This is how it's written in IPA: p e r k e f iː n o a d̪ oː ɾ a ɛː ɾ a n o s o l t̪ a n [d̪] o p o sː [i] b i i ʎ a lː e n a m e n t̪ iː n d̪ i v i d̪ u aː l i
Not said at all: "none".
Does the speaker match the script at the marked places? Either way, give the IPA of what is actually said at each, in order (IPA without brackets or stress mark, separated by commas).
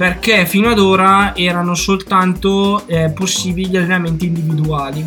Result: t̪, iː